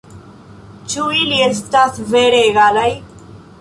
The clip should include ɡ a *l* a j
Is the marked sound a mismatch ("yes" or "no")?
no